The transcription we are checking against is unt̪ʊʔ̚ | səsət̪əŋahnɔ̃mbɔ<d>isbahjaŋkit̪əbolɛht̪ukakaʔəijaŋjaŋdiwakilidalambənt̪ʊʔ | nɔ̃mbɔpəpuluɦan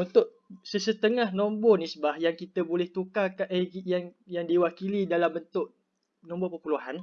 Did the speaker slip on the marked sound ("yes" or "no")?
yes